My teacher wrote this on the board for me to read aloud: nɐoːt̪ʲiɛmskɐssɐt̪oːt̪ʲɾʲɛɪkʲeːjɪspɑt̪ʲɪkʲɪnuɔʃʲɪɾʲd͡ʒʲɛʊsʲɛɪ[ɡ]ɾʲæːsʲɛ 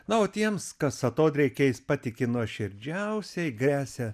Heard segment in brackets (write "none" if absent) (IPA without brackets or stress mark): ɡ